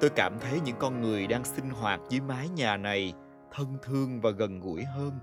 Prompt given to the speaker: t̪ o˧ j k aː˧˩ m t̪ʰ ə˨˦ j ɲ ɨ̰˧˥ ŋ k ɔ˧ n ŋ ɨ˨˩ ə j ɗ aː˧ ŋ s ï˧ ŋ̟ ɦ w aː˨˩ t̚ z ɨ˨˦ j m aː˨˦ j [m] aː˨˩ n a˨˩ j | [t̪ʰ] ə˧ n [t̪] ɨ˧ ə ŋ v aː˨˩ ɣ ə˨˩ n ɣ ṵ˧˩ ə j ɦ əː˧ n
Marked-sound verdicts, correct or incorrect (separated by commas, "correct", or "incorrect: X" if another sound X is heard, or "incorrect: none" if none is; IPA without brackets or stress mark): incorrect: ɲ, correct, incorrect: t̪ʰ